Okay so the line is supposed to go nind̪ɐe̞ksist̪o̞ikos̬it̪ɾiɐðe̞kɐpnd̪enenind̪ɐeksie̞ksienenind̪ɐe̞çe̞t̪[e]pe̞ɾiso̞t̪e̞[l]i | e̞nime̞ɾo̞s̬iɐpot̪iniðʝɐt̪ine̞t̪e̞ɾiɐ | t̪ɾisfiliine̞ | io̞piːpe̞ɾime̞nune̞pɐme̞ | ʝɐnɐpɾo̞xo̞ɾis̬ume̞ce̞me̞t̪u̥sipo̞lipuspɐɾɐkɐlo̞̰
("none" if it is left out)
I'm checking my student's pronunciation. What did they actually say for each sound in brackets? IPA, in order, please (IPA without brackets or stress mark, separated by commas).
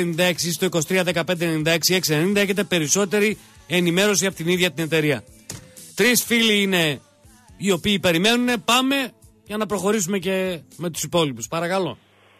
e, ɾ